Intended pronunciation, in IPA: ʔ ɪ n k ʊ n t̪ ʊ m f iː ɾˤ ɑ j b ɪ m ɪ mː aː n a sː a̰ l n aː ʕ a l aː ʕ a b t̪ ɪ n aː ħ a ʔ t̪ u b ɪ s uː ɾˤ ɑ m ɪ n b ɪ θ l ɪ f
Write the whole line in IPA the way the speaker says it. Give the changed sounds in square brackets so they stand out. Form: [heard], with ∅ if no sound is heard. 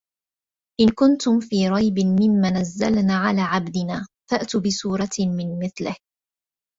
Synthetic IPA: ʔ ɪ n k ʊ n t̪ ʊ m f iː ɾˤ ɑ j b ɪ m ɪ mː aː n a [zː] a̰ l n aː ʕ a l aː ʕ a b [d̪] ɪ n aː [f] a ʔ t̪ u b ɪ s uː ɾˤ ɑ m ɪ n [m] ɪ θ l ɪ [h]